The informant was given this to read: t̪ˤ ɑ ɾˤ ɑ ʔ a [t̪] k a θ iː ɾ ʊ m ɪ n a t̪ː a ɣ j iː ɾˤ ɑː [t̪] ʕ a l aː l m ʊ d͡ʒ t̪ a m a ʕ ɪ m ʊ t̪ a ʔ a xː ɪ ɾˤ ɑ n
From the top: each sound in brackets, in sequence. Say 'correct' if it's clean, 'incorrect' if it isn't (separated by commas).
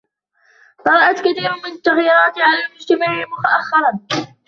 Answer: correct, correct